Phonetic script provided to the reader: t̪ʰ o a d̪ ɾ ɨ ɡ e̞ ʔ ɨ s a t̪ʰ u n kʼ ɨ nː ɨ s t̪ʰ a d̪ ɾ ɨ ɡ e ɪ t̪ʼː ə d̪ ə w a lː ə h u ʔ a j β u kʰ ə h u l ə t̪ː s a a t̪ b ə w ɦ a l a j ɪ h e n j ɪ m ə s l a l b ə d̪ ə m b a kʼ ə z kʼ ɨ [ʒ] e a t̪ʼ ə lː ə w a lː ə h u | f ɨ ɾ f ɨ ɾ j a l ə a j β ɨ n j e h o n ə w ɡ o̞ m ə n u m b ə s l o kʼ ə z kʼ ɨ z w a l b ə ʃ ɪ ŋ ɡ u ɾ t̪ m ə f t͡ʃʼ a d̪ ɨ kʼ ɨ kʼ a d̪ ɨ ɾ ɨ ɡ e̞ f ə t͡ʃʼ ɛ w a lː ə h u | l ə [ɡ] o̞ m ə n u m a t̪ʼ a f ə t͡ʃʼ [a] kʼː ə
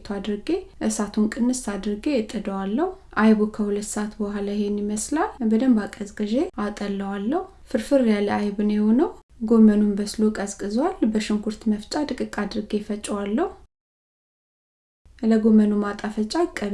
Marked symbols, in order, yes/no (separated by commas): yes, yes, yes